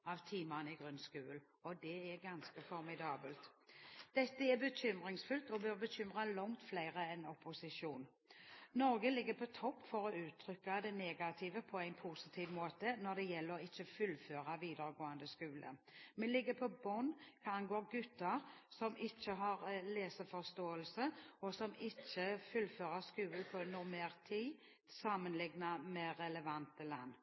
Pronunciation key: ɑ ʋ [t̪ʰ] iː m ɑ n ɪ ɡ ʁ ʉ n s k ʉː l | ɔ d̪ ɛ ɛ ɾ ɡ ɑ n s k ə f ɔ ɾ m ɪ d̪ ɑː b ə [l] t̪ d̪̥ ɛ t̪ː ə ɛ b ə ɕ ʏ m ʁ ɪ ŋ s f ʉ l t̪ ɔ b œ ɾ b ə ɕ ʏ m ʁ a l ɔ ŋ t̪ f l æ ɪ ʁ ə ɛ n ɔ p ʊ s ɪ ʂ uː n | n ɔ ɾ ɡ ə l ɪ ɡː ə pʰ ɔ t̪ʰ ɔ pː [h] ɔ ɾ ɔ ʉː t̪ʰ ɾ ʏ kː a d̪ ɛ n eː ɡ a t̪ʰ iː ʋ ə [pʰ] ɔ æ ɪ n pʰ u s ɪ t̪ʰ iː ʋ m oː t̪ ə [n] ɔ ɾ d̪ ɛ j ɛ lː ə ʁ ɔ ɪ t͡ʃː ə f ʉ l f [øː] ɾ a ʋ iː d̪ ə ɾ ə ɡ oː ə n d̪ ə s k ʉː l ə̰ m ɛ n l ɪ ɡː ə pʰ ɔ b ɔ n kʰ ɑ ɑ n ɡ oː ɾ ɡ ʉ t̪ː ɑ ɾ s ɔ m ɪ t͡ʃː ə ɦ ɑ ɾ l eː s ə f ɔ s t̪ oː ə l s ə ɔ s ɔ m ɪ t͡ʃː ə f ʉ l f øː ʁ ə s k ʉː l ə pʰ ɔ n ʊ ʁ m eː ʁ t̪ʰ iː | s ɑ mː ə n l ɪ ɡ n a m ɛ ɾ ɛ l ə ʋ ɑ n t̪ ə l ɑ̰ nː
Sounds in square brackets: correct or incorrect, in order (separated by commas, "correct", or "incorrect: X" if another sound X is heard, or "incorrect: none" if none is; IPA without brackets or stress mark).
correct, correct, incorrect: f, correct, correct, correct